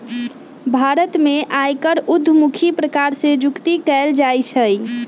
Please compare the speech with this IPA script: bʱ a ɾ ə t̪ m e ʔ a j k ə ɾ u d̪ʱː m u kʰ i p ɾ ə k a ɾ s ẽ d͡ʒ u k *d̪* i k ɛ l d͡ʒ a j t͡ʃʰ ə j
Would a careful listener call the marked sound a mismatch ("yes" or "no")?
yes